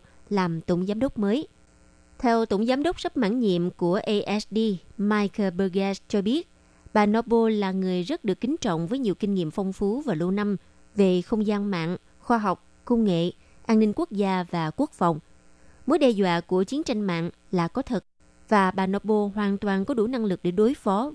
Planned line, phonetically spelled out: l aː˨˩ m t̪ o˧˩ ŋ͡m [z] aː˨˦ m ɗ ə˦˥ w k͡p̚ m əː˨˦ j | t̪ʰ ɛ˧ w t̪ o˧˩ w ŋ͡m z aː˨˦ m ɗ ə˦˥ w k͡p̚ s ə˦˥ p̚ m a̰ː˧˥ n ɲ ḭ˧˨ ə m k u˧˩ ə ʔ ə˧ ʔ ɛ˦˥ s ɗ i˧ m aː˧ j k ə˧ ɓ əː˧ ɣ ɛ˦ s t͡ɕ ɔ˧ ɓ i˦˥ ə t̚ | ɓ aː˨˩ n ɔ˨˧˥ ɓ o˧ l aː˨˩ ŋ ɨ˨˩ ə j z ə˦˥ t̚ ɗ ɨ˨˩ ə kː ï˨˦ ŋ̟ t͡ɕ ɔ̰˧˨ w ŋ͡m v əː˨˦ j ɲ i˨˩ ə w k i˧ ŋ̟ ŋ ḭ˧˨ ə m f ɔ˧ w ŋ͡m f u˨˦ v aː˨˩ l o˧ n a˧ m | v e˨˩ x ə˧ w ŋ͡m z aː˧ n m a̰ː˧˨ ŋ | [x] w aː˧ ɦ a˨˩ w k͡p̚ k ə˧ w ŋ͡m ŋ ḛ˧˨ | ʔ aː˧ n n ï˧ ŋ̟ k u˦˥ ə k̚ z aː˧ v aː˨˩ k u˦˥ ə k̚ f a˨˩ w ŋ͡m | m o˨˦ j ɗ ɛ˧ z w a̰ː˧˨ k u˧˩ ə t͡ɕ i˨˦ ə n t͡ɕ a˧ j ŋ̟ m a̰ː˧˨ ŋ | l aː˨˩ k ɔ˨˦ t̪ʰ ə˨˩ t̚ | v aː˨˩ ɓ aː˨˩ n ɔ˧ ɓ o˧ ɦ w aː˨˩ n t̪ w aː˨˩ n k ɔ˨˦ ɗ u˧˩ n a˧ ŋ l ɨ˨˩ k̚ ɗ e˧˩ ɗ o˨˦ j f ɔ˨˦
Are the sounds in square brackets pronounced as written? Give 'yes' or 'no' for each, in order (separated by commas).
yes, yes